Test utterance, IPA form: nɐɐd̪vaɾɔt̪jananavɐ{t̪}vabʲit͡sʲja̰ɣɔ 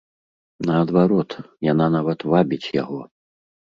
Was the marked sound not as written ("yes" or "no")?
no